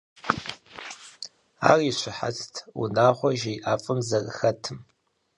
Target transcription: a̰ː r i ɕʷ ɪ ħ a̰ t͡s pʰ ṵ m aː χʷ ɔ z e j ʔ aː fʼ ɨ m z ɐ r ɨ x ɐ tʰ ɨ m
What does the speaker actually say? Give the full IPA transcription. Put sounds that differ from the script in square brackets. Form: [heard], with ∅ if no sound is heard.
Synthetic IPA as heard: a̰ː r i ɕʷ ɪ ħ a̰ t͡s [tʰ] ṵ [n] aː χʷ ɔ [ʒ] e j ʔ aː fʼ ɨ m z ɐ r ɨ x ɐ tʰ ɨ m